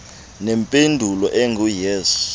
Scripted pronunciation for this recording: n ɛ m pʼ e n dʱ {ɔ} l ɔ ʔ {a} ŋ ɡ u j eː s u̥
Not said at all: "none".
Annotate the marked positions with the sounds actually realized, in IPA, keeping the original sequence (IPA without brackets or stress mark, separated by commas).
u, ɛ